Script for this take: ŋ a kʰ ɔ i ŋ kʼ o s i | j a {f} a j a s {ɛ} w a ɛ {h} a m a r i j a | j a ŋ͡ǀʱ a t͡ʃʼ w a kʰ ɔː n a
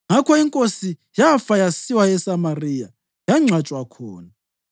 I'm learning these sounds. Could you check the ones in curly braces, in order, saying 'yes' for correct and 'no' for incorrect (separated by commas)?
yes, no, no